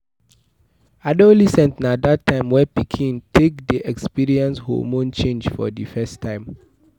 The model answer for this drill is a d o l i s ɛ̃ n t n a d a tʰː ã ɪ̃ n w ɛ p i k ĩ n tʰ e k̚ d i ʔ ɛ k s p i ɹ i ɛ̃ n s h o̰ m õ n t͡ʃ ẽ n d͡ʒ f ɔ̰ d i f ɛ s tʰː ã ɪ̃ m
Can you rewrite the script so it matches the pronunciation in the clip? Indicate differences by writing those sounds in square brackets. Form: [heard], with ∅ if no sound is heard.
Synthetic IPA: a d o l i s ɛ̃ n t n a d a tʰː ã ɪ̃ [m] w ɛ p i [kʰ] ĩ n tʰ e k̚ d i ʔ ɛ k s p i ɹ i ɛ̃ n s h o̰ m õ n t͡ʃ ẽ n d͡ʒ f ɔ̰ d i f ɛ s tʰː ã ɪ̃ m

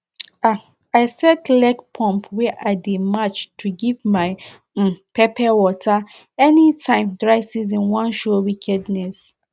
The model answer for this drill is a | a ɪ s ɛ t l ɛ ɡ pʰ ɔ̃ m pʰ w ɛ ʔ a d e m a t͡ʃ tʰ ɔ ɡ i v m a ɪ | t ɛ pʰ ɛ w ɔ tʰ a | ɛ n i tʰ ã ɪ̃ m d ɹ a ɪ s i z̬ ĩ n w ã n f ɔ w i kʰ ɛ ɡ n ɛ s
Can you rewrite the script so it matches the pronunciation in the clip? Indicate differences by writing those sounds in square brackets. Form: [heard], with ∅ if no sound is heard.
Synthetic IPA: a | a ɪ s ɛ t l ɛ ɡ pʰ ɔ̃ m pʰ w ɛ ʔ a d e m a t͡ʃ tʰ [u] ɡ i v m a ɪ | [p] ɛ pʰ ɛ w ɔ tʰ a | ɛ n i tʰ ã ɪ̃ m d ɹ a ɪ s i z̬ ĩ n w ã n [ʃ] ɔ w i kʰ ɛ [d] n ɛ s

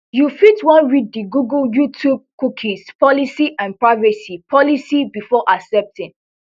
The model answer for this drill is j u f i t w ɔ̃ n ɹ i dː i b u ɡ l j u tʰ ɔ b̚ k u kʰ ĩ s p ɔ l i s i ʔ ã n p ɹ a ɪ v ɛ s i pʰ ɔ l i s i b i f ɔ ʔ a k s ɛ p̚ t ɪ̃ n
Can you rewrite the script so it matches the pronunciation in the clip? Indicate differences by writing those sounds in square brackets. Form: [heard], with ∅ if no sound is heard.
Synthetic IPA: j u f i t w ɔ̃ n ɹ i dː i [ɡ] u ɡ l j u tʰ [u] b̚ k u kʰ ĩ s p ɔ l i s i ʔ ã n p ɹ a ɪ v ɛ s i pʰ ɔ l i s i b i f ɔ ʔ a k s ɛ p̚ t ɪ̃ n

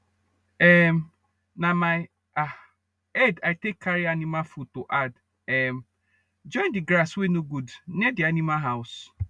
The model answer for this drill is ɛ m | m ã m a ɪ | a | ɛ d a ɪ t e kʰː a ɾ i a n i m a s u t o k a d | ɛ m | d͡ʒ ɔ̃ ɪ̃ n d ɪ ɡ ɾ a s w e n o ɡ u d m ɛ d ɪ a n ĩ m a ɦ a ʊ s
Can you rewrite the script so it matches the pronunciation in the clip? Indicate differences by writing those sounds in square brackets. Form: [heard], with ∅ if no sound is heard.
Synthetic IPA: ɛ m | [n] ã m a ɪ | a | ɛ d a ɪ t e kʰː a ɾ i a n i m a [f] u t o [ʔ] a d | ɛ m | d͡ʒ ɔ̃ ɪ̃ n d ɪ ɡ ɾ a s w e n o ɡ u d [n] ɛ d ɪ a n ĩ m a ɦ a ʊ s

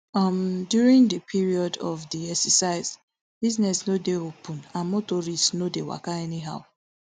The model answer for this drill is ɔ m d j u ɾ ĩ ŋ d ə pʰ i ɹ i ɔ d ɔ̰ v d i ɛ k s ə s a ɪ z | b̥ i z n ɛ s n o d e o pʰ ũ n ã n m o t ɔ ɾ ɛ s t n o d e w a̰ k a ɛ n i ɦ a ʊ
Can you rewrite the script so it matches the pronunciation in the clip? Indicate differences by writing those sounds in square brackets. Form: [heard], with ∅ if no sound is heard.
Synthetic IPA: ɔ m d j u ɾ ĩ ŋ d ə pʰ i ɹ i ɔ d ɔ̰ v d i ɛ k s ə s a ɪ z | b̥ i z n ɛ s n o d e o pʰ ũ n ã n m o t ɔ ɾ [i] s t n o d e w a̰ k a ɛ n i ɦ a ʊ

